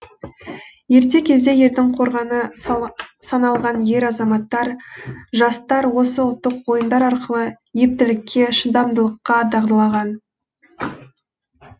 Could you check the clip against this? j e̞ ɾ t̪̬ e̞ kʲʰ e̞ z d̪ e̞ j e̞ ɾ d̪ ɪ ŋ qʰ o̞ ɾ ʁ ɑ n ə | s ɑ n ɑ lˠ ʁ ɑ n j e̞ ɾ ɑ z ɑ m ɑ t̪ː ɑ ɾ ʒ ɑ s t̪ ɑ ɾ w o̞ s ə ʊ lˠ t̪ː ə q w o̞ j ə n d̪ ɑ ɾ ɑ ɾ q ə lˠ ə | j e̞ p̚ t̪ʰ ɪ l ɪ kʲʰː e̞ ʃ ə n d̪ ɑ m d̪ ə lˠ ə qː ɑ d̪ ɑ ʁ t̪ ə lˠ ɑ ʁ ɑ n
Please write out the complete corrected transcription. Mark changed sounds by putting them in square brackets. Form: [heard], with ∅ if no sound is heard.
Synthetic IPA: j e̞ ɾ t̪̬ e̞ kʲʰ e̞ z d̪ e̞ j e̞ ɾ d̪ ɪ ŋ qʰ o̞ ɾ ʁ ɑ n ə | s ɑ n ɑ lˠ ʁ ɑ n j e̞ ɾ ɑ z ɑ m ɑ t̪ː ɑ ɾ ʒ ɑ s t̪ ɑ ɾ w o̞ s ə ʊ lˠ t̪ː ə q w o̞ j ə n d̪ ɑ ɾ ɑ ɾ q ə lˠ ə | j e̞ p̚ [t̪] ɪ l ɪ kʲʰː e̞ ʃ ə n d̪ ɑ m d̪ ə lˠ ə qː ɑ d̪ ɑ ʁ [d̪] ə lˠ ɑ ʁ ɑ n